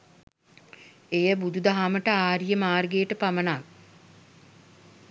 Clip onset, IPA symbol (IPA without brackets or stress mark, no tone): e